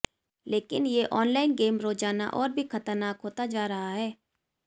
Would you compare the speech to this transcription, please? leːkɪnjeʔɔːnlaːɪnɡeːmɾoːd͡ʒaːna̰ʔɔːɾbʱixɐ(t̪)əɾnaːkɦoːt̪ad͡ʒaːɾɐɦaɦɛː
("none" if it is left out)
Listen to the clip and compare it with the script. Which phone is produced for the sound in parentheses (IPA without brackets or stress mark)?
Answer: t̪